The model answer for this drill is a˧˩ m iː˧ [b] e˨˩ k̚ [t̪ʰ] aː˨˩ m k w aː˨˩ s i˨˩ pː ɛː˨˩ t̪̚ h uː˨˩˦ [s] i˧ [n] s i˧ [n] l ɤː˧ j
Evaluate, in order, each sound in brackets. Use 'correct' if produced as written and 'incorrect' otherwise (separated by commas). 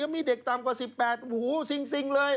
incorrect, incorrect, correct, incorrect, incorrect